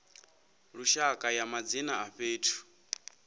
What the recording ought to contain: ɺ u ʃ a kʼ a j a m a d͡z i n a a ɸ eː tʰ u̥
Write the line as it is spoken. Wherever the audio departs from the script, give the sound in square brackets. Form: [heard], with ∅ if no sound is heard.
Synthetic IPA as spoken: ɺ u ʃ a kʼ a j a m a d͡z i n a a ɸ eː tʰ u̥